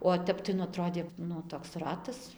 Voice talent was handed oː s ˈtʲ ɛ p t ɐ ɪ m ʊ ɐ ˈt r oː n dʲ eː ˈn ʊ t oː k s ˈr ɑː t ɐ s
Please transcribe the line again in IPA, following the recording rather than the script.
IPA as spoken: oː ˈtʲ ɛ p t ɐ ɪ n ʊ ɐ ˈt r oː dʲ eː ˈn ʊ t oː k s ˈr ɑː t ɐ s